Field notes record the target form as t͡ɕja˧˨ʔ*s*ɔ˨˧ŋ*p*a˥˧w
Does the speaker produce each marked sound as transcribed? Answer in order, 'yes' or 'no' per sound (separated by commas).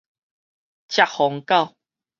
no, no